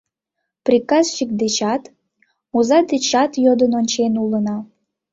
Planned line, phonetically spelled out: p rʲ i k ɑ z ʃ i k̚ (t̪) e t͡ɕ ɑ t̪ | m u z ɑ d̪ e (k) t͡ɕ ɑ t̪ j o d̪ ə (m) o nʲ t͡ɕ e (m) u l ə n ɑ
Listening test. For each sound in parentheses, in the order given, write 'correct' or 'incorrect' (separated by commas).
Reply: incorrect, incorrect, incorrect, incorrect